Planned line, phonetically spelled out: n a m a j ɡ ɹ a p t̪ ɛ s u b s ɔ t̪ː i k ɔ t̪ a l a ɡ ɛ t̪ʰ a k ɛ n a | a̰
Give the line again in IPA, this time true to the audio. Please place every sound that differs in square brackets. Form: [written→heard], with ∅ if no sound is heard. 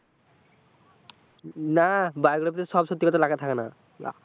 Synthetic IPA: n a [m→b] a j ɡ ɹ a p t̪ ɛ s [u→ɔ] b s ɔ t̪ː i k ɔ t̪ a l a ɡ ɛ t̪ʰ a k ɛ n a | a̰